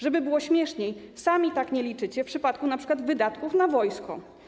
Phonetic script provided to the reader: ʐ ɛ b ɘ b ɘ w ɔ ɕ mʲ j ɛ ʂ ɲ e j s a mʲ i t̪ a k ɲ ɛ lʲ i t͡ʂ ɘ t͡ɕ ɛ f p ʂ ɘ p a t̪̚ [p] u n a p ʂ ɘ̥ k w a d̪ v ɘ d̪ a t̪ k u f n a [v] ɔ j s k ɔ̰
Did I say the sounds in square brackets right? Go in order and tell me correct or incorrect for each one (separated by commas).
incorrect, correct